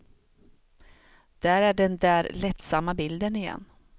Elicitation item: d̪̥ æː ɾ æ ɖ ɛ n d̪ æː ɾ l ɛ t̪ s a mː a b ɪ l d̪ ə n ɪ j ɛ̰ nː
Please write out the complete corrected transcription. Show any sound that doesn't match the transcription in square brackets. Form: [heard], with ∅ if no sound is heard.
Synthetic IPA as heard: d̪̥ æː ɾ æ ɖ ɛ n d̪ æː ɾ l ɛ t̪ s a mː a b ɪ l d̪ ə n ɪ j ɛ̰ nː